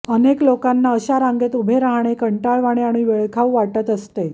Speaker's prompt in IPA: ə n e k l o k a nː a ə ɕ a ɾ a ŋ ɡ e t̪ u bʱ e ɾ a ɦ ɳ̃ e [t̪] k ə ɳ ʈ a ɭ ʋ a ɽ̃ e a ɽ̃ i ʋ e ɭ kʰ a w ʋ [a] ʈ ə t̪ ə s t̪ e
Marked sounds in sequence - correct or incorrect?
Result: incorrect: none, correct

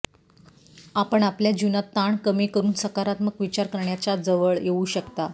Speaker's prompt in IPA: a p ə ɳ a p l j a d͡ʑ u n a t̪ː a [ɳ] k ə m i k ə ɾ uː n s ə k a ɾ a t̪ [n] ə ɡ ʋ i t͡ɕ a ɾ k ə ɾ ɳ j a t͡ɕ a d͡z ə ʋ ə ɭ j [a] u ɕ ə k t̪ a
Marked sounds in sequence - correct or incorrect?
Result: correct, incorrect: m, incorrect: e

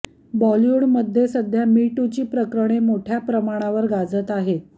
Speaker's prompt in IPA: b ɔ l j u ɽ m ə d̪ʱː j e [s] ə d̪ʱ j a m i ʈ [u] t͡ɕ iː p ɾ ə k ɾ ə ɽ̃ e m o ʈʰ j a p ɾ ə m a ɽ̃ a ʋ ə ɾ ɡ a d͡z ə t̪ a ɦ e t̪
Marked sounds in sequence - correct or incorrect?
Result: correct, correct

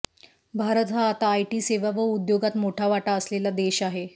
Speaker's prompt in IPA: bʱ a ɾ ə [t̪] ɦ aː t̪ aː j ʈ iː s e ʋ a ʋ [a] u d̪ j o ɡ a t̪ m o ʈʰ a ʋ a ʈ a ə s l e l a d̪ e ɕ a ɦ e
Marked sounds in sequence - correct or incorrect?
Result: correct, incorrect: ə

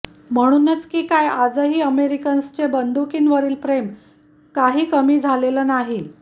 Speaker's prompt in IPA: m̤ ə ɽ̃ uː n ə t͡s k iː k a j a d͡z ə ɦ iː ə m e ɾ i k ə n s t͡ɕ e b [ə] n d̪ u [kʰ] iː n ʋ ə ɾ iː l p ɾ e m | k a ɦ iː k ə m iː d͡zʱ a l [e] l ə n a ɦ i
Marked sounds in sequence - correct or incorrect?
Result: correct, incorrect: k, correct

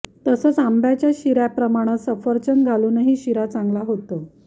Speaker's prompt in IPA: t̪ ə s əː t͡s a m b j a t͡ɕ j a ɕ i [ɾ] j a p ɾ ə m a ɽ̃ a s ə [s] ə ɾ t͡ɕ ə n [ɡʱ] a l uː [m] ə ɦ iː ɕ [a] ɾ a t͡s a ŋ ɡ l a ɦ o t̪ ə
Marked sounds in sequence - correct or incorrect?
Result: correct, incorrect: f, correct, incorrect: n, incorrect: i

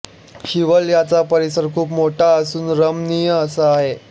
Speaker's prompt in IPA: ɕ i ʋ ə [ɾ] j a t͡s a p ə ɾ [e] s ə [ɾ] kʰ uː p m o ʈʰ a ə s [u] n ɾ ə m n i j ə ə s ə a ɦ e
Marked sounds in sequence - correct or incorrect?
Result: incorrect: l, incorrect: i, correct, incorrect: uː

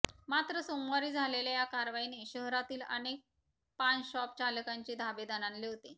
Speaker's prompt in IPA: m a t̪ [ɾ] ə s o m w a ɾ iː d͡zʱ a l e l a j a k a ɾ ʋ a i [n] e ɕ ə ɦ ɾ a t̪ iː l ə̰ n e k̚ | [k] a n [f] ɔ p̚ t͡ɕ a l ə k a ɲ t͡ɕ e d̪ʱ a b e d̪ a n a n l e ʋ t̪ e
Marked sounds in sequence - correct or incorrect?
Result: correct, correct, incorrect: p, incorrect: ɕ

